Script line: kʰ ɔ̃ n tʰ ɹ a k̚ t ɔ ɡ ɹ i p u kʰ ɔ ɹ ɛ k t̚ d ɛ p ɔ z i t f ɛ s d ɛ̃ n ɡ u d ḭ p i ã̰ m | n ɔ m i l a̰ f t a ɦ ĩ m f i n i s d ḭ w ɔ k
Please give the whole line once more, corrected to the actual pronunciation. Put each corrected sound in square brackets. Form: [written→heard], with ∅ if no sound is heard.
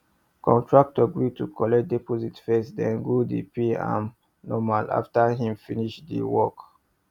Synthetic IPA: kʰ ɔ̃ n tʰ ɹ a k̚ t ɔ ɡ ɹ i [p→t] u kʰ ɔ [ɹ→l] ɛ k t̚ d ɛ p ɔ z i t f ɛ s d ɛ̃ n ɡ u d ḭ p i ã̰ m | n ɔ m [i→a] l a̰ f t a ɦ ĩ m f i n i [s→ʃ] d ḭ w ɔ k

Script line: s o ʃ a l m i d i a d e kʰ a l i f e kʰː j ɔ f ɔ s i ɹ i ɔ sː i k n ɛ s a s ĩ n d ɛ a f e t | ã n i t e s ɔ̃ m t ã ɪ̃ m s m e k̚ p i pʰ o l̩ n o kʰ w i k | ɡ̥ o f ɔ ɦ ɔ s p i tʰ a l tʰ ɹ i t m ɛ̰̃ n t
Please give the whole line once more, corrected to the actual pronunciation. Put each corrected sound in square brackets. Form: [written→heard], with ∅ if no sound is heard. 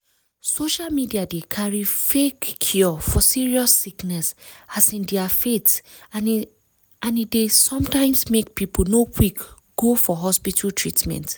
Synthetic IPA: s o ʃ a l m i d i a d e kʰ a [l→ɹ] i f e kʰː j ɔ f ɔ s i ɹ i ɔ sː i k n ɛ s a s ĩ n d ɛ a f e t | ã n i [t→d] e s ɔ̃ m t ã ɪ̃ m s m e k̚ p i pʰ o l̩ n o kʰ w i k | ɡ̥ o f ɔ ɦ ɔ s p i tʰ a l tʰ ɹ i t m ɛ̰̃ n t

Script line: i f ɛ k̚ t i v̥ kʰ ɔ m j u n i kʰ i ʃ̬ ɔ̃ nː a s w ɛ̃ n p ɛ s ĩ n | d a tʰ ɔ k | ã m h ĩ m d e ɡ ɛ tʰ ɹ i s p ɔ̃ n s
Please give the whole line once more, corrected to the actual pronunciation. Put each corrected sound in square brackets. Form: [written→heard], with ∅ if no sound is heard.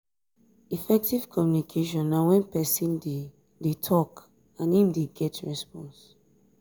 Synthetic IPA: i f ɛ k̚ t i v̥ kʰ ɔ m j u n i kʰ [i→e] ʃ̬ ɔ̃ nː a [s→∅] w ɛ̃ n p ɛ s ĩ n | d [a→e] tʰ ɔ k | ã [m→n] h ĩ m d e ɡ ɛ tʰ ɹ [i→ɛ] s p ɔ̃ n s

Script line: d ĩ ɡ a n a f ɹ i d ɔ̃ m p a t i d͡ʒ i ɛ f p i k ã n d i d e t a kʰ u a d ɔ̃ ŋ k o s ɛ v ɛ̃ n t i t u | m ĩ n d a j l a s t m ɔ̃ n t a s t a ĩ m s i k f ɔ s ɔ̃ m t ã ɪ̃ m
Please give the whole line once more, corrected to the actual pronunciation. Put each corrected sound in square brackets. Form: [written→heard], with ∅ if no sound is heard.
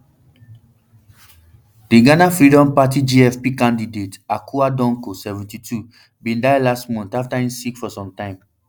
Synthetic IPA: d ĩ ɡ a n a f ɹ i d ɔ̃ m p a t i d͡ʒ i ɛ f p i k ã n d i d e t a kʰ u a d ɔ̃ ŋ k o s ɛ v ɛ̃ n t i t u | [m→b] ĩ n d a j l a s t m ɔ̃ n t a [s→f] t a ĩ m s i k f ɔ s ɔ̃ m t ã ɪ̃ m

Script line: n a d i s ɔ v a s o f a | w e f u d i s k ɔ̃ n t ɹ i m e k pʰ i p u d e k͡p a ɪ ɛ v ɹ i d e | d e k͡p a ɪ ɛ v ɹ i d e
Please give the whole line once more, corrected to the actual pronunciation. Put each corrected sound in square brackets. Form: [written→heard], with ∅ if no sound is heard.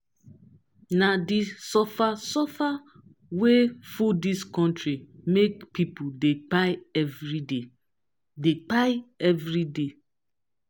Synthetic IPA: n a d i s ɔ [v→f] a s [o→ɔ] f a | w e f u d i s k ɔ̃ n t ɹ i m e k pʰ i p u d e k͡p a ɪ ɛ v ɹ i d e | d e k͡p a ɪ ɛ v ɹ i d e

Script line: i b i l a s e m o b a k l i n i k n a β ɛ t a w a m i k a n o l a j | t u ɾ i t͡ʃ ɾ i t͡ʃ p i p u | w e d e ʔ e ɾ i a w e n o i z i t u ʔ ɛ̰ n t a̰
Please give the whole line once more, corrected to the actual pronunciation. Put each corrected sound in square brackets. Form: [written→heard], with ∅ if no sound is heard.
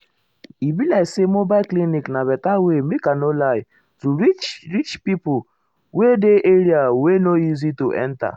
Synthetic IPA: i b i l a s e m o b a k l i n i k n a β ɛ t a w [a→e] m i k a n o l a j | t u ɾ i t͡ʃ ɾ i t͡ʃ p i p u | w e d e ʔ e ɾ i a w e n o i z i t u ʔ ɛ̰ n t a̰

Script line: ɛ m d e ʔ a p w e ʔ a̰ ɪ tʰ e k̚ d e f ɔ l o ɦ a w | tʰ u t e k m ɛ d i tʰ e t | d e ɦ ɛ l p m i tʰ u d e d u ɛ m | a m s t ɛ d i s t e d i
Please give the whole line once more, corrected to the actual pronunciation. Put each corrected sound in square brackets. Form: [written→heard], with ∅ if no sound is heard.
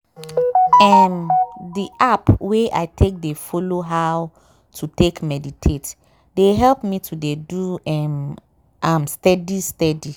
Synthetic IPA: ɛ m d [e→i] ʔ a p w e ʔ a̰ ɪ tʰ e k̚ d e f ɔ l o ɦ a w | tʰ u t e k m ɛ d i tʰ e t | d e ɦ ɛ l p m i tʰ u d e d u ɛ m | a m s t ɛ d i s t [e→ɛ] d i

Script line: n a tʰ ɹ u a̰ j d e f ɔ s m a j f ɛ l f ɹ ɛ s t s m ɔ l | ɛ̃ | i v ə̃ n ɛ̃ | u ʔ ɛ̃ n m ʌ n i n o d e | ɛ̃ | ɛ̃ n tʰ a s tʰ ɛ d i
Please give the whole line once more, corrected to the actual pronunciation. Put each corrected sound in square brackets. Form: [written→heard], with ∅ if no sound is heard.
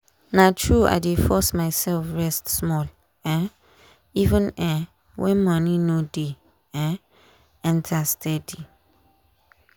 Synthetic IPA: n a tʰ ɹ u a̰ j d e f ɔ s m a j [f→s] ɛ l f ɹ ɛ s t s m ɔ l | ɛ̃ | i v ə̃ n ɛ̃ | [u→w] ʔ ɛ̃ n m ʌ n i n o d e | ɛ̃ | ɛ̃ n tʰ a s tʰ ɛ d i

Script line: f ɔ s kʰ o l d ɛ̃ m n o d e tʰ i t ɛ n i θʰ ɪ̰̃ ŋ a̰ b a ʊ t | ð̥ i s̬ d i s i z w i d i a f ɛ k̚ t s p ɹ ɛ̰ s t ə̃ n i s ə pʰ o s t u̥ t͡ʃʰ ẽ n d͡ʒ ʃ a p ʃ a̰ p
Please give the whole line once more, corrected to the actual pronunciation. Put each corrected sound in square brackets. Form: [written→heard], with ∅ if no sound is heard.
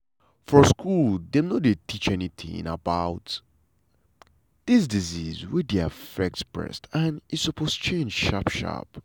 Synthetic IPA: f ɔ s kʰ [o→u] l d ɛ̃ m n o d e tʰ i [t→t͡ʃ] ɛ n i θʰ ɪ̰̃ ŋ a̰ b a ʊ t | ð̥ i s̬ d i [s→z] i z w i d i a f ɛ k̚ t s p ɹ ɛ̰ s t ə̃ n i s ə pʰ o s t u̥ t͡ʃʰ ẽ n d͡ʒ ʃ a p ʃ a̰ p

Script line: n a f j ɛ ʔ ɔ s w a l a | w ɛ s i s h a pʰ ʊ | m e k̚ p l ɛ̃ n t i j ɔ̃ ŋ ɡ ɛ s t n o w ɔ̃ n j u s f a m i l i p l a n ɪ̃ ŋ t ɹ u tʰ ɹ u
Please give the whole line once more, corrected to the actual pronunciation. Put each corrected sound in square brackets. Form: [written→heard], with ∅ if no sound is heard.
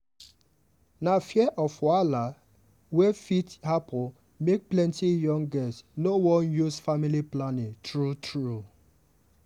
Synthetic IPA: n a f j ɛ ʔ ɔ [s→f] w a l a | w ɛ [s→f] i [s→t] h a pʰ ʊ | m e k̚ p l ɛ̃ n t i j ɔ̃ ŋ ɡ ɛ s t n o w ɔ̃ n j u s f a m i l i p l a n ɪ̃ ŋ t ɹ u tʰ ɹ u

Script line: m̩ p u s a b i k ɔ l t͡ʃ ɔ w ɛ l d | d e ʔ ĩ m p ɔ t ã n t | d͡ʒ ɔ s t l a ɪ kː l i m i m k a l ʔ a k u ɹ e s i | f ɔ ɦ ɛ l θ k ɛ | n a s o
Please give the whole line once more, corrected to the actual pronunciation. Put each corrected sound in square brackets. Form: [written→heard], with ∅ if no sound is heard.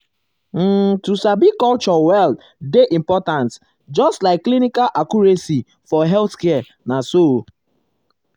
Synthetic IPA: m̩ [p→t] u s a b i k ɔ l t͡ʃ ɔ w ɛ l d | d e ʔ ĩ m p ɔ t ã n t | d͡ʒ ɔ s t l a ɪ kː l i [m→n] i [m→∅] k a l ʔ a k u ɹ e s i | f ɔ ɦ ɛ l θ k ɛ | n a s o

